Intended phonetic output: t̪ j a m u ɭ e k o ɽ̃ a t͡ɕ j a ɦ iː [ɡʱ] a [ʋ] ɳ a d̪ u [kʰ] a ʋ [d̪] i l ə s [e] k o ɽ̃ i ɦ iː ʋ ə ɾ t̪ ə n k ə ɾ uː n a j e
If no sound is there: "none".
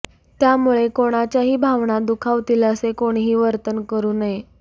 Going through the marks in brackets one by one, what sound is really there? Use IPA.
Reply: bʱ, ʋ, kʰ, t̪, e

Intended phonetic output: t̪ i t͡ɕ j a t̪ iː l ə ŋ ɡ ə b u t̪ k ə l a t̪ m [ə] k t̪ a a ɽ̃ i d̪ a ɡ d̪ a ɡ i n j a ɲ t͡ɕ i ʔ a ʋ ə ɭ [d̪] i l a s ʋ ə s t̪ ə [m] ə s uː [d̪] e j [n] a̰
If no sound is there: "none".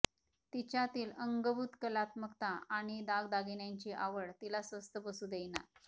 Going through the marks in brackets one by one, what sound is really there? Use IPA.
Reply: ə, t̪, b, d̪, n

